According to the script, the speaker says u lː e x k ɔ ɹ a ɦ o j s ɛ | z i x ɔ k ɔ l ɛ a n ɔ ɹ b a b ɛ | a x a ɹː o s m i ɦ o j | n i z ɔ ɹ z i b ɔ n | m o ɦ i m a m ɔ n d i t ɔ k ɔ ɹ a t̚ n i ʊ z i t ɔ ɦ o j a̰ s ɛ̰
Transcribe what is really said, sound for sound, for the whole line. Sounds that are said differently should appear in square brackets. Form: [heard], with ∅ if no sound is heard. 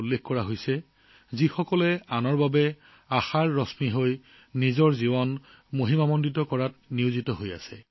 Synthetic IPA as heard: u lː e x k ɔ ɹ a ɦ o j s ɛ | z i x ɔ k ɔ l ɛ a n ɔ ɹ b a b ɛ | a x a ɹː [ɔ] s m i ɦ o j | n i z ɔ ɹ z i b ɔ n | m o ɦ i m a m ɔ n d i t ɔ k ɔ ɹ a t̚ n i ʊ z i t ɔ ɦ o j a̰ s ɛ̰